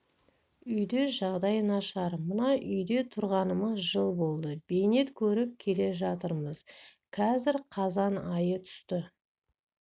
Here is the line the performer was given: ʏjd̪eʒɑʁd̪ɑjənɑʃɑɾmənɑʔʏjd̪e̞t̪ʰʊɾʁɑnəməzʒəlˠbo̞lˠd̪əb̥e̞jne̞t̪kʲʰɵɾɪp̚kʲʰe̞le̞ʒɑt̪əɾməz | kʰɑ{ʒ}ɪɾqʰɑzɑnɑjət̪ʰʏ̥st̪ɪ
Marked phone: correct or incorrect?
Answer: incorrect